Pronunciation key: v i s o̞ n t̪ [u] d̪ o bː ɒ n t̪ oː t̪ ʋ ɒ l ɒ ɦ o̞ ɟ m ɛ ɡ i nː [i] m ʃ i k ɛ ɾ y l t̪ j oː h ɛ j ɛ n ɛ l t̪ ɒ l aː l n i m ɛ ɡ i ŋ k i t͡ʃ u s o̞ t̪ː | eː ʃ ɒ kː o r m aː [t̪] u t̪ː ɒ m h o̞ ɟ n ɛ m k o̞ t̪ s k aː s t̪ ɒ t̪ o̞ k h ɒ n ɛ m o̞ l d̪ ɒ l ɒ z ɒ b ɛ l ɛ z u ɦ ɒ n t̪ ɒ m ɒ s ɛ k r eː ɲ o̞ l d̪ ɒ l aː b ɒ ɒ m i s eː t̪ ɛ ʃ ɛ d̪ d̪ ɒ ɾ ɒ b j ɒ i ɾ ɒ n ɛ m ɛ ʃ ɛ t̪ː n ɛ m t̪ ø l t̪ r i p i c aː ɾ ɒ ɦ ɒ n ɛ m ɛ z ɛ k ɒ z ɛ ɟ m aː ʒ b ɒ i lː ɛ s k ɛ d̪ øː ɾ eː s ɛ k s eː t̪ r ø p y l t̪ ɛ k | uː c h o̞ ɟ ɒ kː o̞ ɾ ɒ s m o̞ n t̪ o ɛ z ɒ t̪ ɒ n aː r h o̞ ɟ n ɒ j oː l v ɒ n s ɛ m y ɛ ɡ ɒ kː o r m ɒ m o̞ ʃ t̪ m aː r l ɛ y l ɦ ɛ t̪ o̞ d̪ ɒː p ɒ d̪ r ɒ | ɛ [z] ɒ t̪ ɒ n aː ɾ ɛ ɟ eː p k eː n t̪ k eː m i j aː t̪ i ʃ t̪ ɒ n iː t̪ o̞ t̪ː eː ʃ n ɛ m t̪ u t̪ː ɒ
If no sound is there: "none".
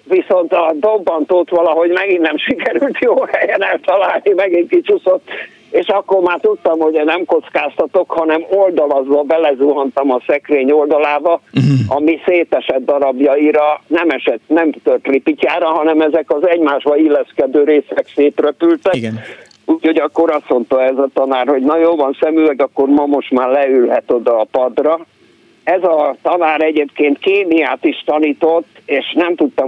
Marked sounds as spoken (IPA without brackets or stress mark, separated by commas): ɒ, ɛ, t̪, z